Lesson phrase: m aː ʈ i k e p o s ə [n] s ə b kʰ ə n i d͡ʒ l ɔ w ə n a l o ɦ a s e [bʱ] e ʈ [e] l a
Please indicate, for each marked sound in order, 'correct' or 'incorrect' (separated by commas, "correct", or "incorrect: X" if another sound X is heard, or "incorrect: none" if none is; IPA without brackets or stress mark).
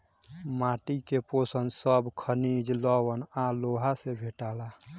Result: correct, correct, incorrect: a